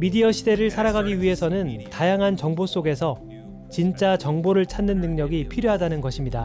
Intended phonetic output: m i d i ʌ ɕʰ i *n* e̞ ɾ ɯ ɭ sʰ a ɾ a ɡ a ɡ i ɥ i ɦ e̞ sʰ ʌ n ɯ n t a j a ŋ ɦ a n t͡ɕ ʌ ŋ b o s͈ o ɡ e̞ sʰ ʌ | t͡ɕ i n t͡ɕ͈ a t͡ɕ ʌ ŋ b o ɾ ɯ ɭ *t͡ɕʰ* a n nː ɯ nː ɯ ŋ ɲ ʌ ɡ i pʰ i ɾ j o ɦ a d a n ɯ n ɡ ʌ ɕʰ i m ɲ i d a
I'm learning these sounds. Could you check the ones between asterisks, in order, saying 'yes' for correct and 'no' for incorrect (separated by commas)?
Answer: no, yes